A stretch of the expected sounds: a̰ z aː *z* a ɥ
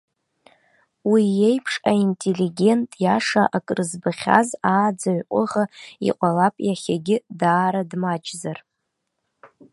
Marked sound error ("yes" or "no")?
yes